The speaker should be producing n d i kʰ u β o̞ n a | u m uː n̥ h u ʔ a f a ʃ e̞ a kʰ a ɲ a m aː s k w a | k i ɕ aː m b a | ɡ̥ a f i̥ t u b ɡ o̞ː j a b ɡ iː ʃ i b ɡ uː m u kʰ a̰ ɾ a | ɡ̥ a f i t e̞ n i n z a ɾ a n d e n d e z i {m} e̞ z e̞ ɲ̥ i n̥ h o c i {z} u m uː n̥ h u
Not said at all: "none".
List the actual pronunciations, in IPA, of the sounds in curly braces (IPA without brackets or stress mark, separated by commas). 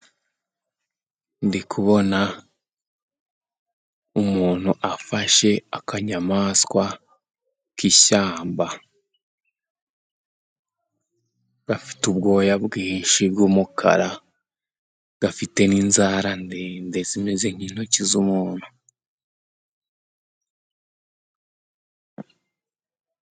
m, z